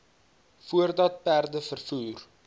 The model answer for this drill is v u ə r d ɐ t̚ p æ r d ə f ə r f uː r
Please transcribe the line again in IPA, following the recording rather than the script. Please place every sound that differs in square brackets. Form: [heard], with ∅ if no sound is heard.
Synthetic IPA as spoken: [f] u ə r d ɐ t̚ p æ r d ə f ə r f uː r